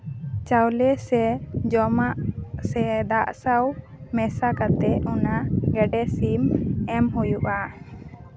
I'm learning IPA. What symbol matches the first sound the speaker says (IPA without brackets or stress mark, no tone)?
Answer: t͡ʃ